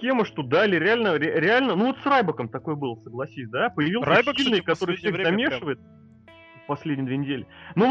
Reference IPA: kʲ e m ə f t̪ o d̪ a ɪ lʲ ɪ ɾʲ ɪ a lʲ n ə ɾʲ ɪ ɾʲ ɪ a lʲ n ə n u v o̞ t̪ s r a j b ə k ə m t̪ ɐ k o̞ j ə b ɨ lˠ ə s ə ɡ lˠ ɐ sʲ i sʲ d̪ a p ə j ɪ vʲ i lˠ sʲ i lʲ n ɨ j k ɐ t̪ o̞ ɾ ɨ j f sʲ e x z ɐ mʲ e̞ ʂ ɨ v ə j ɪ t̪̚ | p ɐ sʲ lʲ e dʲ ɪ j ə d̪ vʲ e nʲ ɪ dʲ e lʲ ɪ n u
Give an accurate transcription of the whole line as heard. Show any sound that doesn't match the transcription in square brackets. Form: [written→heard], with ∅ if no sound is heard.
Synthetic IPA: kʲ e m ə [f→ʂ] t̪ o d̪ a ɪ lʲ ɪ ɾʲ ɪ a lʲ n ə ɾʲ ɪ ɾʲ ɪ a lʲ n ə n u v o̞ t̪ s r a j b ə k ə m t̪ ɐ k o̞ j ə b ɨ lˠ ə s ə ɡ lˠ ɐ sʲ i sʲ d̪ a p ə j ɪ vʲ i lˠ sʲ i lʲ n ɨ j k ɐ t̪ o̞ ɾ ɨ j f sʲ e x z ɐ mʲ e̞ ʂ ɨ v ə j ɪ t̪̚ | p ɐ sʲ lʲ e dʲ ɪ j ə d̪ vʲ e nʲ ɪ dʲ e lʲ ɪ n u